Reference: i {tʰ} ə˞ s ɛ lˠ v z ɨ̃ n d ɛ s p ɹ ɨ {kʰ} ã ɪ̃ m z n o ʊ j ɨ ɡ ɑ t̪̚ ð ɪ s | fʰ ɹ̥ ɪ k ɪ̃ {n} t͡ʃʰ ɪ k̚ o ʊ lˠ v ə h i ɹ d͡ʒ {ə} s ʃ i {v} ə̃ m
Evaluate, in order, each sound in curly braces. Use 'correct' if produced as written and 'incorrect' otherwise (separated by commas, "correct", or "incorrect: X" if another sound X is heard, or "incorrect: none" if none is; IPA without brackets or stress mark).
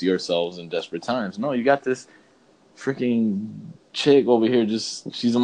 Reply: incorrect: none, incorrect: tʰ, incorrect: ŋ, incorrect: ʌ, incorrect: z